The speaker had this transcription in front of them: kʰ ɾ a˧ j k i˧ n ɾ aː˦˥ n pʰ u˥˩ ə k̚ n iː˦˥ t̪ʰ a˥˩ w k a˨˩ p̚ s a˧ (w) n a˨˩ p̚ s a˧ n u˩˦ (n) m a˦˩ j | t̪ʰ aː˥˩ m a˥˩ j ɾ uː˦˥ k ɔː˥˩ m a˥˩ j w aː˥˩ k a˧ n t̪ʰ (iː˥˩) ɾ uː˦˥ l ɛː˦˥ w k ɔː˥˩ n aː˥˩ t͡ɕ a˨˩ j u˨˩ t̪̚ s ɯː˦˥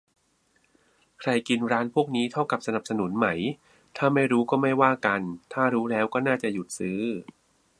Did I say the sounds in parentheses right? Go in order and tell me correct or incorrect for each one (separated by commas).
incorrect, correct, incorrect